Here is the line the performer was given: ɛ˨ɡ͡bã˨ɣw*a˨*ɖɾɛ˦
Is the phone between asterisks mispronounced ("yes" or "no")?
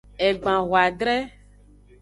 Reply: no